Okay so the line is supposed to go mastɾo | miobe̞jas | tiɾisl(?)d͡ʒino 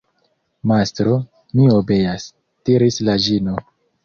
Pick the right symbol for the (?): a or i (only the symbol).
a